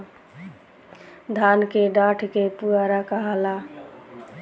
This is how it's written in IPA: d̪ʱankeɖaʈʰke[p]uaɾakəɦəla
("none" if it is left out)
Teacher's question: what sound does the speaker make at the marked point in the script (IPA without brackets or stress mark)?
p